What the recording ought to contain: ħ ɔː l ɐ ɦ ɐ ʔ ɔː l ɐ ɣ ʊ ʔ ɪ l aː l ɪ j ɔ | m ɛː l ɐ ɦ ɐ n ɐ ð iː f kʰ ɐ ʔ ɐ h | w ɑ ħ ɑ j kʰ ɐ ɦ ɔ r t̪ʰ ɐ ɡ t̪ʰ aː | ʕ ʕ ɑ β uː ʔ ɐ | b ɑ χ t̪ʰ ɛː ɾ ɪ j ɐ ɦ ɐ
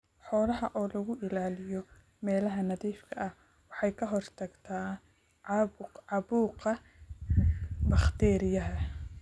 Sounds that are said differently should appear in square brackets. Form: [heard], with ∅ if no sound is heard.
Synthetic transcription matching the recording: ħ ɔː l ɐ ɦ ɐ ʔ ɔː l ɐ ɣ ʊ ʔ ɪ l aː l ɪ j ɔ | m ɛː l ɐ ɦ ɐ n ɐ ð iː f kʰ ɐ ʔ ɐ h | w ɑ ħ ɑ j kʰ ɐ ɦ ɔ r t̪ʰ ɐ ɡ t̪ʰ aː | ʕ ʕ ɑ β uː [q] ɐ | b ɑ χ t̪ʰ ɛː ɾ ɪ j ɐ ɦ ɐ